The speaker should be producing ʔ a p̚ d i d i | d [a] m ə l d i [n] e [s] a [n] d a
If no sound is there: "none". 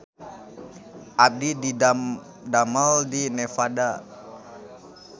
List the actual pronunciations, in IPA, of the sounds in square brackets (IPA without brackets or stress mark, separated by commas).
a, n, f, none